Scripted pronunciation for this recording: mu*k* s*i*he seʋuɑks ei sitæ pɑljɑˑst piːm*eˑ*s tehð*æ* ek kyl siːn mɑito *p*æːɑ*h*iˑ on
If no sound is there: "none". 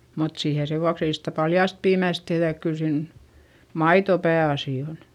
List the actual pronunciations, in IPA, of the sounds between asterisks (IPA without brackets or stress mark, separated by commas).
t, iː, æˑ, æ, p, s